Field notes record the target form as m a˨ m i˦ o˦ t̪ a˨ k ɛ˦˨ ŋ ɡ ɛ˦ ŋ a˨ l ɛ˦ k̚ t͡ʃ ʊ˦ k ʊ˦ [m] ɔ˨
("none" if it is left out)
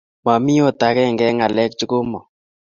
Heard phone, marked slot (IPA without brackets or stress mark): m